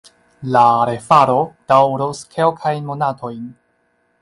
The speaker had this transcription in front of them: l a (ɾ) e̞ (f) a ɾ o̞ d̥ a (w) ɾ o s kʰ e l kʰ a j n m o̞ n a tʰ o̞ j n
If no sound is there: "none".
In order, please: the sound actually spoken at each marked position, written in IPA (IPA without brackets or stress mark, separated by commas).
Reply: ɾ, f, w